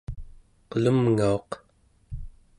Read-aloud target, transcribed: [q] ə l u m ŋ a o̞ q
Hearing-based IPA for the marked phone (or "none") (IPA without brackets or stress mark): q